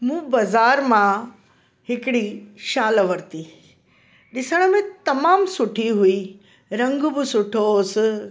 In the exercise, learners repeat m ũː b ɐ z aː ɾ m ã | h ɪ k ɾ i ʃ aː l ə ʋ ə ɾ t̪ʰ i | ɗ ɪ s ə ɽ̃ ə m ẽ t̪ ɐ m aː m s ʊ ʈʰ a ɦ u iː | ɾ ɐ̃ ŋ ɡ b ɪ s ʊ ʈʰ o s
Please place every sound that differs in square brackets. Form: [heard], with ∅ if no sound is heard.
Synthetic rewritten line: m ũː b ɐ z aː ɾ m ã | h ɪ k [ɽ] i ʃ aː l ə ʋ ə ɾ [t̪] i | ɗ ɪ s ə ɽ̃ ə m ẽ t̪ ɐ m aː m s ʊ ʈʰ [i] ɦ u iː | ɾ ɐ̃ ŋ ɡ b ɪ s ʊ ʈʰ o s